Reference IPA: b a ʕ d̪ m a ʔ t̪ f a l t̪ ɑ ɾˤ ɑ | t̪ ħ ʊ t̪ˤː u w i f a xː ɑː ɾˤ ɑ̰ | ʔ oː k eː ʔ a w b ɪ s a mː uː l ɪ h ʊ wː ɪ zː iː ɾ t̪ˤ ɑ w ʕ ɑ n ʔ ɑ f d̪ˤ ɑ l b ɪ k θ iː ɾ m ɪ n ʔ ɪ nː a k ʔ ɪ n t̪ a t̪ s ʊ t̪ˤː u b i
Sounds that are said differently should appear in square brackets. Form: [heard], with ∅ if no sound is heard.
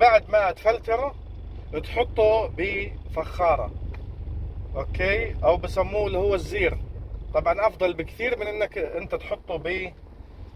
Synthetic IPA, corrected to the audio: b a ʕ d̪ m a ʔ t̪ f a l t̪ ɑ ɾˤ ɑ | t̪ ħ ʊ t̪ˤː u [b] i f a xː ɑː ɾˤ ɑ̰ | ʔ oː k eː ʔ a w b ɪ s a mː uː l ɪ h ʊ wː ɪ zː iː ɾ t̪ˤ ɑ [b] ʕ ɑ n ʔ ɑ f d̪ˤ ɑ l b ɪ k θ iː ɾ m ɪ n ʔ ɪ nː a k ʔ ɪ n t̪ a t̪ [ħ] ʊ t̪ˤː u b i